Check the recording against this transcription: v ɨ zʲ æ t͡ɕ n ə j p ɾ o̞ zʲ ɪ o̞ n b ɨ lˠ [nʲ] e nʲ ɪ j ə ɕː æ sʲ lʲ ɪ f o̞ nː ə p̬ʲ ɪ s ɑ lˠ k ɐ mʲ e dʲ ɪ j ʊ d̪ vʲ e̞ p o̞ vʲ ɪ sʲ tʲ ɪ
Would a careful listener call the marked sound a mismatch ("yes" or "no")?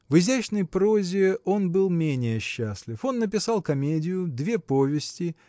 yes